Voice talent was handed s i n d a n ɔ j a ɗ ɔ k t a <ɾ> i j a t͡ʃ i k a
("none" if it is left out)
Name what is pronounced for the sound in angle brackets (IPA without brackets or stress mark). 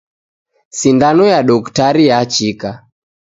ɾ